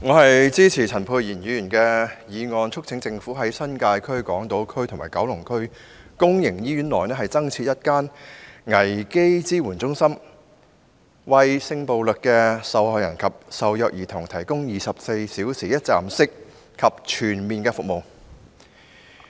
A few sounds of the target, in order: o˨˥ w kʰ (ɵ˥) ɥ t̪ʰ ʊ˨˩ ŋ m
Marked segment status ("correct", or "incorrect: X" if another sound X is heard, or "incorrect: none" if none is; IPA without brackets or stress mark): correct